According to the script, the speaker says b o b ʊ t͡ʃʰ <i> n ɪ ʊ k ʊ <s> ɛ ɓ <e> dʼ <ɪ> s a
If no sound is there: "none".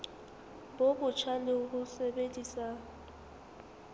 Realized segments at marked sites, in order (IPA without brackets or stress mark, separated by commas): a, s, e, i